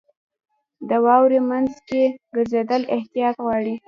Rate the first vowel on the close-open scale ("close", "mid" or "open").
mid